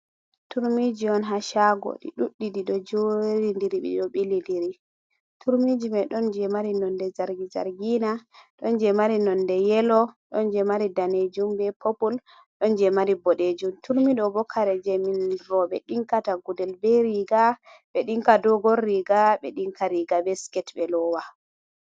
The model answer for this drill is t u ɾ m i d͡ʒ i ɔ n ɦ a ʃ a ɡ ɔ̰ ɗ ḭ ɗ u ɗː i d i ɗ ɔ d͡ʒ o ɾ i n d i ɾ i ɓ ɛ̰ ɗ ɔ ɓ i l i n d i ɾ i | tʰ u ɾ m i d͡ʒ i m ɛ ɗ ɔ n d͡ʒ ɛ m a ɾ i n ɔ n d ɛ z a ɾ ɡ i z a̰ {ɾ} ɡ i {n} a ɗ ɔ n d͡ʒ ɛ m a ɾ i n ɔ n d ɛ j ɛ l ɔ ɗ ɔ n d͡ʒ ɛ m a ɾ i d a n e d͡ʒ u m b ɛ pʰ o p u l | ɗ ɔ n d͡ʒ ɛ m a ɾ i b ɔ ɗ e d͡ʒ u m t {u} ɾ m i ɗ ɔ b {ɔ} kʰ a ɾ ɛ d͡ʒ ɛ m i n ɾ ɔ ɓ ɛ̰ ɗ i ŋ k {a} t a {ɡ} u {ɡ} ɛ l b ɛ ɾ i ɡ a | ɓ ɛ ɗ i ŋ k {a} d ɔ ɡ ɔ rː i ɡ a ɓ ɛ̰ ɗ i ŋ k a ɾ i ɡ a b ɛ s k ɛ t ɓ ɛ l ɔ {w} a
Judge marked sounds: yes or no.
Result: yes, yes, yes, yes, yes, yes, no, yes, yes

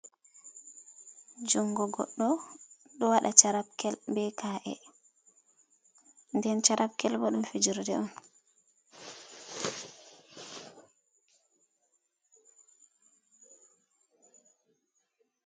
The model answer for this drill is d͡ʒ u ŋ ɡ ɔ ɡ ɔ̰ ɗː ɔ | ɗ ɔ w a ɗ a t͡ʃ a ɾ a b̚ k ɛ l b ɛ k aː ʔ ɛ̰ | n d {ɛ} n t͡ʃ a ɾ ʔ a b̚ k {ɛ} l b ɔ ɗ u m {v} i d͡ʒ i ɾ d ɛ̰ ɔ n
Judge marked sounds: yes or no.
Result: yes, yes, no

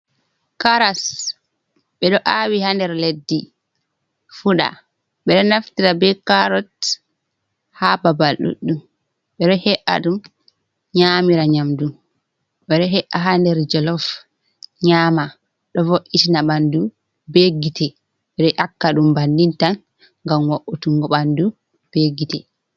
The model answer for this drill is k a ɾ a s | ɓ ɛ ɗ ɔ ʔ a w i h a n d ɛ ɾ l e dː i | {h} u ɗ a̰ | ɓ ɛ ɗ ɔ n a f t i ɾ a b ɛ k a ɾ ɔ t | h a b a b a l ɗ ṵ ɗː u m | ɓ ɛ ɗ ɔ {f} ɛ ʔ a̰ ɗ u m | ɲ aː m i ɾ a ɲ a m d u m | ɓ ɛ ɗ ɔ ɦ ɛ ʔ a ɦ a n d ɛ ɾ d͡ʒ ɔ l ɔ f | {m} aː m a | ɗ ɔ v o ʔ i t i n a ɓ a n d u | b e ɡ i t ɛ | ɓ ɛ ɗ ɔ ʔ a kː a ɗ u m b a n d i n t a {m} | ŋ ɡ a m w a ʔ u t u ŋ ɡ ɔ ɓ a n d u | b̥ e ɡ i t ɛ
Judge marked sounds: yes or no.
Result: no, no, no, no

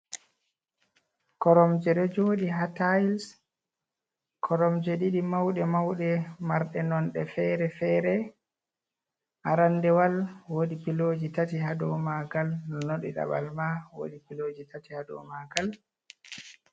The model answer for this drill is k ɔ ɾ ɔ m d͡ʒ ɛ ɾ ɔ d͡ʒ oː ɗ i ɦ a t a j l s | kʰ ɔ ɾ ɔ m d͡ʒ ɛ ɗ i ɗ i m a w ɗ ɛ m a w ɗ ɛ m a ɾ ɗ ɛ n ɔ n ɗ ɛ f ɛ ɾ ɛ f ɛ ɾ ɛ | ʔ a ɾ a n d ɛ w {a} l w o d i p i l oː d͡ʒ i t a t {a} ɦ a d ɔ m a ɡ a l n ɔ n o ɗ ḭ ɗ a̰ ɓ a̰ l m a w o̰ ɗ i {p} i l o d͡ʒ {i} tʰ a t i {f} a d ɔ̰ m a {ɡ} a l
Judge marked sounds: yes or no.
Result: yes, no, yes, yes, no, yes

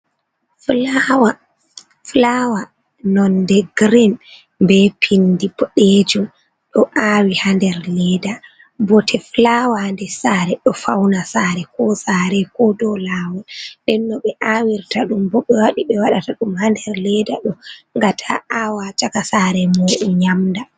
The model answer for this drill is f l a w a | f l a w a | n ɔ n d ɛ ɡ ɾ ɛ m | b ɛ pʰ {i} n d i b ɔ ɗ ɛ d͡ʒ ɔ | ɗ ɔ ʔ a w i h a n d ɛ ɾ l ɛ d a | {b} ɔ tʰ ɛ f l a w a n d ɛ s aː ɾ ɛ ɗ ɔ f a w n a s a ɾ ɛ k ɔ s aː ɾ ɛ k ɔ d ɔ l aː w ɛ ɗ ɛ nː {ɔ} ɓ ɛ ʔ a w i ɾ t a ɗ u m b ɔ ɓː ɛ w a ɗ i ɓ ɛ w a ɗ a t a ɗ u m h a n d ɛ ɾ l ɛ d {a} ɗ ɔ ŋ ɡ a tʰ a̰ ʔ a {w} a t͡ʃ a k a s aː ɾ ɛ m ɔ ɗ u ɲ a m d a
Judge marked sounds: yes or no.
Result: yes, yes, yes, yes, yes

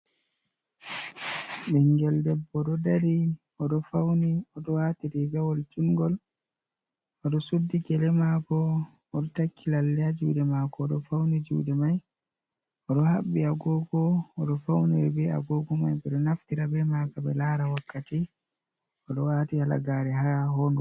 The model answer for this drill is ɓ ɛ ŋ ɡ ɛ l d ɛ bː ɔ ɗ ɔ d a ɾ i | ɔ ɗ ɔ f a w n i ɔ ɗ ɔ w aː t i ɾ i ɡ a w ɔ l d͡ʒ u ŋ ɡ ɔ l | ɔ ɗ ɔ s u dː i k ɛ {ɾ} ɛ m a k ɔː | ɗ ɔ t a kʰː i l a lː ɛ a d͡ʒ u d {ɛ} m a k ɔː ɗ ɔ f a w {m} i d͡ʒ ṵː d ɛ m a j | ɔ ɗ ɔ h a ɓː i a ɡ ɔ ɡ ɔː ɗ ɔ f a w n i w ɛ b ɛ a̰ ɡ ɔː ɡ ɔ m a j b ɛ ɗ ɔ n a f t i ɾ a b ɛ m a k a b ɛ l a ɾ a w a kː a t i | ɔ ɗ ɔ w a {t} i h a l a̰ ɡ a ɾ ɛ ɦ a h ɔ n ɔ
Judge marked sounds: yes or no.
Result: no, yes, no, yes

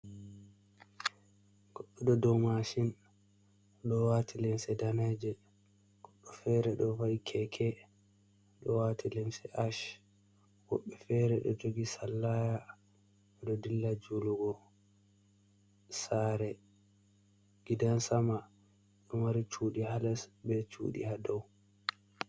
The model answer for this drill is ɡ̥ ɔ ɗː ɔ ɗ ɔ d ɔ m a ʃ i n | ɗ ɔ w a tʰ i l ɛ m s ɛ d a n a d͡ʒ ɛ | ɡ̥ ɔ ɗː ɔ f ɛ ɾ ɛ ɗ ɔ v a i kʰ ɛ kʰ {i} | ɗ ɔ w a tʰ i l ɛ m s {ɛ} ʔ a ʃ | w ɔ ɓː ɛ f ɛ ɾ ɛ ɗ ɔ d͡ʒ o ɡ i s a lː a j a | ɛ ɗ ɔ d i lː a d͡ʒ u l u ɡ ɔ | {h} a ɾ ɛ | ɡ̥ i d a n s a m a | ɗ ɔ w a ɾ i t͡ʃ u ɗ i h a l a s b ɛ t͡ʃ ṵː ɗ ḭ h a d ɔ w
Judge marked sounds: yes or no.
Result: no, yes, no

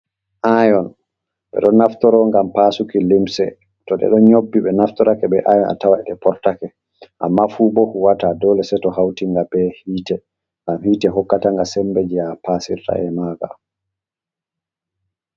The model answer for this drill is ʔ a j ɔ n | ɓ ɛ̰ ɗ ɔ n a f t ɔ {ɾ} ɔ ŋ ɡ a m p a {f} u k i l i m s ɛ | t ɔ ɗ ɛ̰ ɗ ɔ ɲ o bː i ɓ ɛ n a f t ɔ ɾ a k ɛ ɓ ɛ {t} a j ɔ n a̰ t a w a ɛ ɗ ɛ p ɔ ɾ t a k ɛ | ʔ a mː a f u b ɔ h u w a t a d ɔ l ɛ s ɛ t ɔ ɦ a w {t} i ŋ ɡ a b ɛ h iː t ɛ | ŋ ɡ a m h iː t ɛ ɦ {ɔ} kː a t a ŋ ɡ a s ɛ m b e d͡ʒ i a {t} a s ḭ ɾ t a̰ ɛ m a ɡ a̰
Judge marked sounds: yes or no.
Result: yes, no, no, yes, yes, no

